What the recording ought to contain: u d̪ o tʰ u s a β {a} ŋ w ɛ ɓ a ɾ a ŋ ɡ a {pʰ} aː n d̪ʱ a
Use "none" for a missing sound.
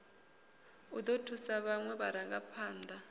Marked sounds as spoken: a, pʰ

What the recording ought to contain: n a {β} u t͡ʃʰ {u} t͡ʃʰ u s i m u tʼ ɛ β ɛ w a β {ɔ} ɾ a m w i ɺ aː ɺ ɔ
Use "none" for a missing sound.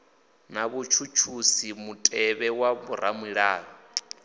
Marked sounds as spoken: β, u, u

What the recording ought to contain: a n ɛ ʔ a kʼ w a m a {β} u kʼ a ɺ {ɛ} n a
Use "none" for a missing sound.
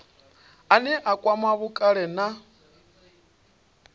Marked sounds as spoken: β, ɛ

